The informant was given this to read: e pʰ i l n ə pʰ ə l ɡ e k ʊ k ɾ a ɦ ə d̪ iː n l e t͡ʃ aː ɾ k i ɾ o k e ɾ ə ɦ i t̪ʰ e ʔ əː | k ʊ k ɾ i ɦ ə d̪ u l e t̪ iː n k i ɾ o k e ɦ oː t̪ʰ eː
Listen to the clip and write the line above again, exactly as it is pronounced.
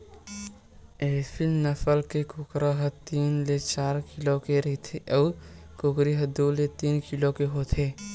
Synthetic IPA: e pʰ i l n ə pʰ ə l k e k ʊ k ɾ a ɦ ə t̪ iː n l e t͡ʃ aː ɾ k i l o k e ɾ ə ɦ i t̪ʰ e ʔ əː | k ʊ k ɾ i ɦ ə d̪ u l e t̪ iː n k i l o k e ɦ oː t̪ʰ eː